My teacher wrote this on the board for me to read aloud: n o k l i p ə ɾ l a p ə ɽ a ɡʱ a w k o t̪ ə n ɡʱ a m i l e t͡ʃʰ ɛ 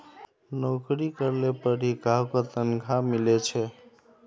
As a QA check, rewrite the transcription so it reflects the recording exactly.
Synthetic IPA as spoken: n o k ɾ i k ə ɾ l e p ə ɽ i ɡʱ a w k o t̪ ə n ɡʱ a m i l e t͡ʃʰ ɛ